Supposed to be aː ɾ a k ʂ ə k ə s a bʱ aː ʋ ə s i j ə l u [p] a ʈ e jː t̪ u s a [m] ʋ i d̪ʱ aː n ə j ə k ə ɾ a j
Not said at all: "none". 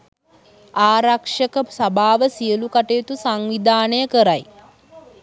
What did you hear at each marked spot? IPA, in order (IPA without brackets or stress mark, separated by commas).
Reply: k, ŋ